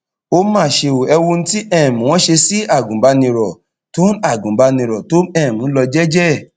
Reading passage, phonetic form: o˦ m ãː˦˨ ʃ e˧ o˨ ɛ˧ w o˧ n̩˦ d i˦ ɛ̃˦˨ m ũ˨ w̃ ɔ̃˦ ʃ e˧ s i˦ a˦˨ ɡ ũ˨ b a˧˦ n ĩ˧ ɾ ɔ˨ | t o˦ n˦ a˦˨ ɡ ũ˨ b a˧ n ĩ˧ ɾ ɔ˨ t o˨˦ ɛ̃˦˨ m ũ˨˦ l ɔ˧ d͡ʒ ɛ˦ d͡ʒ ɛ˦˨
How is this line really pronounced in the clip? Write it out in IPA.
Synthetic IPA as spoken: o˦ m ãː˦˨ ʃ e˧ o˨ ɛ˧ w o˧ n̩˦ t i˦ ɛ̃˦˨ m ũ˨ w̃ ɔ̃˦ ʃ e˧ s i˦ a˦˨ ɡ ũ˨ b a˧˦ n ĩ˧ ɾ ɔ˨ | t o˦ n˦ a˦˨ ɡ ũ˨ b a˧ n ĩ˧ ɾ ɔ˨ t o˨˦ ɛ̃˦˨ m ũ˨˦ l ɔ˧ d͡ʒ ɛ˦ d͡ʒ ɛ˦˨